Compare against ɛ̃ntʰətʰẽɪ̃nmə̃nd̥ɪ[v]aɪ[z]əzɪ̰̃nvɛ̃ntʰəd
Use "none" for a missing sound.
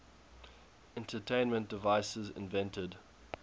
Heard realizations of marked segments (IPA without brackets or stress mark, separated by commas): v, s